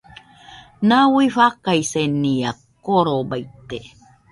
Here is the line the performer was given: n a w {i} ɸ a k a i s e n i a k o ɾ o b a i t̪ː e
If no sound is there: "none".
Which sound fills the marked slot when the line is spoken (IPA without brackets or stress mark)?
i